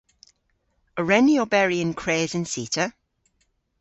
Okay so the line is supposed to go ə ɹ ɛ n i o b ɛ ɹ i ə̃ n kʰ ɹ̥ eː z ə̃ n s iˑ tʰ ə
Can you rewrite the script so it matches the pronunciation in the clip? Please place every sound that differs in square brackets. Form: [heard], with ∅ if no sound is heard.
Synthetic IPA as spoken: ə ɹ ɛ n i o b ɛ ɹ i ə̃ n kʰ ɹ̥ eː z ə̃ n s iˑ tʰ ə